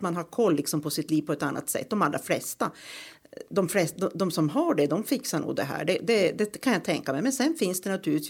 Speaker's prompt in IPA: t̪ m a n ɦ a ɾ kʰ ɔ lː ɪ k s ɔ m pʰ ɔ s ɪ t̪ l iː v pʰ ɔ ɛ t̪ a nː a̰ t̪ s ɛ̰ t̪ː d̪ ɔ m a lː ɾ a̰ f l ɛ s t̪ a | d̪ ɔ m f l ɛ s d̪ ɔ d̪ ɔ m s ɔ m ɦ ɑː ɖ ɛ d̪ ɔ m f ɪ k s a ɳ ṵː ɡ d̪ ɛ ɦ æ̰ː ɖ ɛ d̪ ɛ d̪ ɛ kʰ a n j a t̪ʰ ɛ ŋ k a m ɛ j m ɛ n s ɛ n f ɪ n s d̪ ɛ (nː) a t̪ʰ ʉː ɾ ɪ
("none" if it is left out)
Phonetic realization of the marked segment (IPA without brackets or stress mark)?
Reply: n